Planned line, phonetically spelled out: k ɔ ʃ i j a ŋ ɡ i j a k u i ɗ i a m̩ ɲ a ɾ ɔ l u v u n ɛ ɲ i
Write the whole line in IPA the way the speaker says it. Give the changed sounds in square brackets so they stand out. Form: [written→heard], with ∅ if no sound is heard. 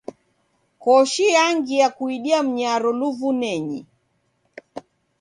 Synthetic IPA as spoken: k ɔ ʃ i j a ŋ ɡ i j a k u i ɗ i a m̩ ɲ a ɾ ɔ l u v u n ɛ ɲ i